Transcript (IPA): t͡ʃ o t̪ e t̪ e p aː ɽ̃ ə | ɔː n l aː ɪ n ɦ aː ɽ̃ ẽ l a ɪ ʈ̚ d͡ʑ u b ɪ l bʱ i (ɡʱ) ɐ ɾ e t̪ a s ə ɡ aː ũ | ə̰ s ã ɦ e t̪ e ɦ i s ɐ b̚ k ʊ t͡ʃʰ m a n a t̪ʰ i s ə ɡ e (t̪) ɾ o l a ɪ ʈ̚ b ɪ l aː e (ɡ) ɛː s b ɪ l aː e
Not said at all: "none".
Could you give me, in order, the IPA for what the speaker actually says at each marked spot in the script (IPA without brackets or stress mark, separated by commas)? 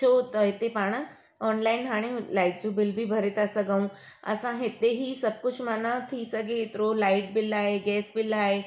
bʱ, t̪, ɡ